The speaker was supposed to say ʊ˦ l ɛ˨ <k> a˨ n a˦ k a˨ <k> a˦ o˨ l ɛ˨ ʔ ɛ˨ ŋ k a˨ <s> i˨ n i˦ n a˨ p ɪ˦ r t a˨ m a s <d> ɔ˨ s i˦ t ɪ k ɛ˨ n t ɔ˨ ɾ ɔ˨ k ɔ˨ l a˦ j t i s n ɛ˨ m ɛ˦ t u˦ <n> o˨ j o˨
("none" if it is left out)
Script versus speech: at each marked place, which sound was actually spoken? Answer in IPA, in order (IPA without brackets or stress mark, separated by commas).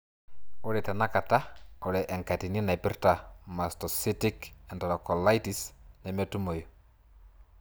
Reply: t, t, t, t, m